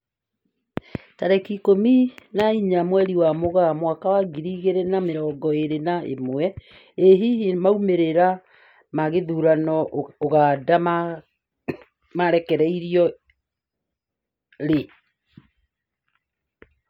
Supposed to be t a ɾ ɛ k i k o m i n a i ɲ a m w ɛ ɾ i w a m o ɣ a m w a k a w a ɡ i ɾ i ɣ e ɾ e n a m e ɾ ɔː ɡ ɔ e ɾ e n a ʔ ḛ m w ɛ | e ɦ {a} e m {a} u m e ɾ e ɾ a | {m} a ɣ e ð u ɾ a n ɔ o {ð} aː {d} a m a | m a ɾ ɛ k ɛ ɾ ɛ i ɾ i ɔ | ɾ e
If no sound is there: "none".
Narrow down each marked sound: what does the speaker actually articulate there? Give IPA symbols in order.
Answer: i, a, m, ɣ, d

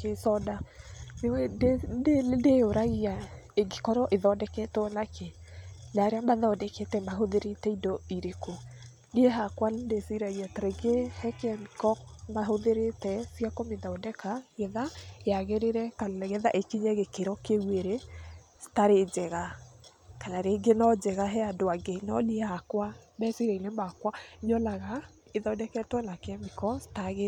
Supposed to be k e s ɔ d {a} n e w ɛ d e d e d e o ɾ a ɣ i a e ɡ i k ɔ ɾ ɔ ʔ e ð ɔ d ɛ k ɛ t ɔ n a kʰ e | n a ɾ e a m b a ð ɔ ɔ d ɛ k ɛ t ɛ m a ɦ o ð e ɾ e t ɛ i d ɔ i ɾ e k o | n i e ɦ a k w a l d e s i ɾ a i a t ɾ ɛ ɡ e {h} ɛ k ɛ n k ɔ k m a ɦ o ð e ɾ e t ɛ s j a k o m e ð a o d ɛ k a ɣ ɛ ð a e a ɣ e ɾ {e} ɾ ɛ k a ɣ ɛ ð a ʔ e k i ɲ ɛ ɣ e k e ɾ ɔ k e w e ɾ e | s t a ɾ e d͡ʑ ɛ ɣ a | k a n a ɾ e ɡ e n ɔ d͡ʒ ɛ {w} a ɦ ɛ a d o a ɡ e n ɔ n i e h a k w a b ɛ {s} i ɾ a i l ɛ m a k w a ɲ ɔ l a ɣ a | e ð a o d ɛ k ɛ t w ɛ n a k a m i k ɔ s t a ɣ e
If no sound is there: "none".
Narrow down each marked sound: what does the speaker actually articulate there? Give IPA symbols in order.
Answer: a, h, e, ɣ, s

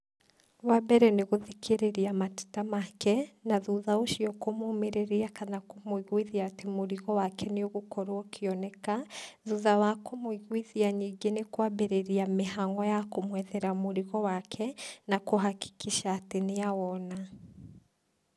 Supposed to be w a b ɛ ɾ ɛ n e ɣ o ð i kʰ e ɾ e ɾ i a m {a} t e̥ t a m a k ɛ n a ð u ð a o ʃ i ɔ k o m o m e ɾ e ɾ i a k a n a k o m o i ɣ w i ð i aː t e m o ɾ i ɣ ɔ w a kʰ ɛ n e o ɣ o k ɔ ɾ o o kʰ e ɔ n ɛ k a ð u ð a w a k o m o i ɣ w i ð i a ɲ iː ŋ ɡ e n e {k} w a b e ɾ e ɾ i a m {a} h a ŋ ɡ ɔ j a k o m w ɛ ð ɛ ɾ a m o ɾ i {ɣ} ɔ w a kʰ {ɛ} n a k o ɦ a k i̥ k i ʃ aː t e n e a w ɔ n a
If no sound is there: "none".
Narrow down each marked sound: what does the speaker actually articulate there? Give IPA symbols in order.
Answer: a, k, e, ɣ, ɛ

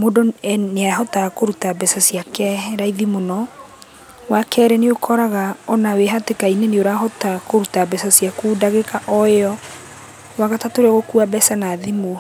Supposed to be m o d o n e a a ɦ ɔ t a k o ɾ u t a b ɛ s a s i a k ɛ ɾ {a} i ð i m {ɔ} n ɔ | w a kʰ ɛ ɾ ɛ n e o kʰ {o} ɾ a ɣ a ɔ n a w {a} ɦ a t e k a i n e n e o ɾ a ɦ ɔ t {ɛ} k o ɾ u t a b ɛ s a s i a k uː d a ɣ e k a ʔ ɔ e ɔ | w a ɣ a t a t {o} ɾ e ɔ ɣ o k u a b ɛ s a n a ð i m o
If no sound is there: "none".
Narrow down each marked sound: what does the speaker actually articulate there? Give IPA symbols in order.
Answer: a, o, ɔ, e, a, o

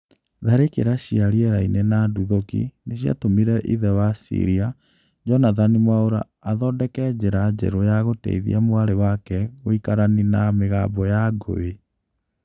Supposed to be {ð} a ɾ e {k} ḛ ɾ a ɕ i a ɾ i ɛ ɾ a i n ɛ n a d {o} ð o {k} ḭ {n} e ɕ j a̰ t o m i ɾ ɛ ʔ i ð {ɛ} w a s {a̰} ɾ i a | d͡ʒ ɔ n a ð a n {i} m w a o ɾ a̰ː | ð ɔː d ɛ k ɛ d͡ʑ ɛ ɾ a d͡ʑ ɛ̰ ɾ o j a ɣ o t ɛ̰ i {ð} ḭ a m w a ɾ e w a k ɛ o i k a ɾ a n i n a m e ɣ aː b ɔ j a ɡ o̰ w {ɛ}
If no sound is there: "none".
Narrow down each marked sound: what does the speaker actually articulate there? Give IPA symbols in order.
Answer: ð, k, u, k, n, ɛ, ḭ, i, ð, e

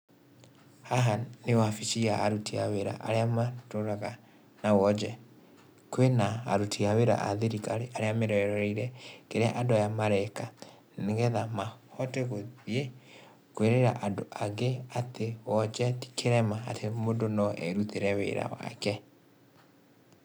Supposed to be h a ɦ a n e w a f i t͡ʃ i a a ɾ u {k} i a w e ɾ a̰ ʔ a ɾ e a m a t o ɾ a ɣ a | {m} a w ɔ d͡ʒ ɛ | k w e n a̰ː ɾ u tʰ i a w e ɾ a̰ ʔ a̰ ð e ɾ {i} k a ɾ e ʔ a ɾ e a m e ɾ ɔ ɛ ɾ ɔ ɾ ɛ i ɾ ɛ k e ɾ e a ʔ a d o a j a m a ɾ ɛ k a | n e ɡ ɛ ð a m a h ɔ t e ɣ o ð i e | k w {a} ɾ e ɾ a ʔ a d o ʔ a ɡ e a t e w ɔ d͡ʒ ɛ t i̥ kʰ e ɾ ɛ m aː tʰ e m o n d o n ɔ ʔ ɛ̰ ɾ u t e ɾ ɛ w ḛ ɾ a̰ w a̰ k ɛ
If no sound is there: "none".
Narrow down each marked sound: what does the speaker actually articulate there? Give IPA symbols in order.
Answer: t, n, i, e

